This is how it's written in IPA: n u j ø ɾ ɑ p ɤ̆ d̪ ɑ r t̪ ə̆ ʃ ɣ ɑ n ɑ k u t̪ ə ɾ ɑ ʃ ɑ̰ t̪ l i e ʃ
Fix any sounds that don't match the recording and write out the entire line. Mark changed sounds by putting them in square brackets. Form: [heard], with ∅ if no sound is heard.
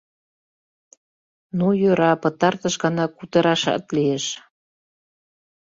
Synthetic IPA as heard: n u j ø ɾ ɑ p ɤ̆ [t̪] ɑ r t̪ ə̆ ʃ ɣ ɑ n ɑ k u t̪ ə ɾ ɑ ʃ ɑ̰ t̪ l i e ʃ